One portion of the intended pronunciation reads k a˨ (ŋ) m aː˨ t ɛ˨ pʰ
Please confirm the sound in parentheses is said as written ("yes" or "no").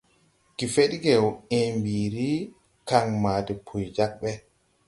yes